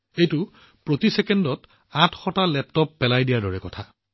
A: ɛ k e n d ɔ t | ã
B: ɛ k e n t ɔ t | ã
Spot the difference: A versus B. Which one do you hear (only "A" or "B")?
A